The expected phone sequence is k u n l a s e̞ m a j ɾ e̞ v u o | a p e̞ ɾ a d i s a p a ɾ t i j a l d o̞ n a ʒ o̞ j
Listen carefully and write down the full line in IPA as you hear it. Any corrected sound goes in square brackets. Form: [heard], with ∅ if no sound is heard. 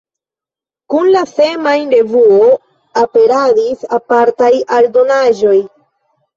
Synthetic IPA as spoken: k u n l a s e̞ m a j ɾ e̞ v u o | a p e̞ ɾ a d i s a p a ɾ t [a] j a l d o̞ n a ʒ o̞ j